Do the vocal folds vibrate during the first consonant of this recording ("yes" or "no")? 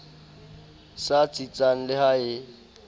no